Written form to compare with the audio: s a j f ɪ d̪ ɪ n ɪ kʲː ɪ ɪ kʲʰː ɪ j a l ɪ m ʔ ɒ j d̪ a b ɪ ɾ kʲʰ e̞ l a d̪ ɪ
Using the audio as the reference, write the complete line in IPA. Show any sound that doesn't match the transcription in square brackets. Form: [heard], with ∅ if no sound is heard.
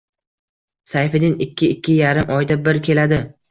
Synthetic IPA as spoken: s a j f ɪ d̪ ɪ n ɪ kʲː ɪ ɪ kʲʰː ɪ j a [ɾ] ɪ m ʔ ɒ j d̪ a b ɪ ɾ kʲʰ e̞ l a d̪ ɪ